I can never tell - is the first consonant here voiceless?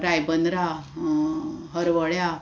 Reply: no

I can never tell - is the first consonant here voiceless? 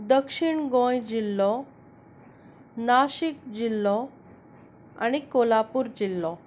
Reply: no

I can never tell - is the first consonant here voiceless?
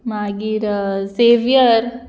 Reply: no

